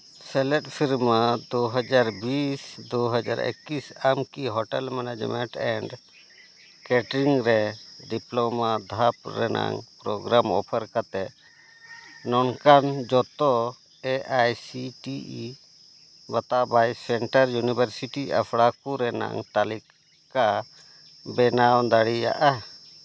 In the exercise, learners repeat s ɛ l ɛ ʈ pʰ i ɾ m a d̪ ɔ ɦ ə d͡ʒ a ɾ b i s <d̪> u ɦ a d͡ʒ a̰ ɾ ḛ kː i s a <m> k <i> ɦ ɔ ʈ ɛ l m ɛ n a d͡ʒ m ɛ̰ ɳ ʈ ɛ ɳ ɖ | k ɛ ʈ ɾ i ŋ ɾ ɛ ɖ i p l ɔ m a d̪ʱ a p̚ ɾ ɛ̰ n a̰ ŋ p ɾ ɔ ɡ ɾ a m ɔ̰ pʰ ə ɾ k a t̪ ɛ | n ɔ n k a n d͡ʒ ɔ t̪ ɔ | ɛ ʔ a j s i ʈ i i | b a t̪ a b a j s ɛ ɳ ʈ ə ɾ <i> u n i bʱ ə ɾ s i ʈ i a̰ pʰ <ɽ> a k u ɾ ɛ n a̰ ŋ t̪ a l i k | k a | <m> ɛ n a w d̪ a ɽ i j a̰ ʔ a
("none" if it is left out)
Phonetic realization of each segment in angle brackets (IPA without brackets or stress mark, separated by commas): d̪, m, i, j, ɽ, b